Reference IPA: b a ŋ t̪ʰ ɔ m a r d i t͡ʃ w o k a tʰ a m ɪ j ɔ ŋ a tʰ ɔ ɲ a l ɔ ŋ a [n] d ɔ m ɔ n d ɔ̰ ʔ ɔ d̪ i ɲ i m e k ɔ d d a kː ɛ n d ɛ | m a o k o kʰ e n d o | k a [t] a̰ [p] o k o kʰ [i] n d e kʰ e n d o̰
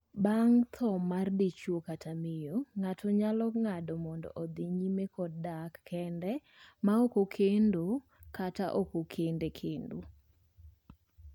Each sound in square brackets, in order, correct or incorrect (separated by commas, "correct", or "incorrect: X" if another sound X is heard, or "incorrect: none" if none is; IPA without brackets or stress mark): incorrect: none, correct, incorrect: ʔ, incorrect: e